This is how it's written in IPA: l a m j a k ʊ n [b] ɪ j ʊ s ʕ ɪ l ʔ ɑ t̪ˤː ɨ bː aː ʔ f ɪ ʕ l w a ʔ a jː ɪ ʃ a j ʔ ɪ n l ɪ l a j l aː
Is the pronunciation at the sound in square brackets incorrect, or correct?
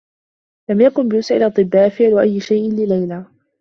correct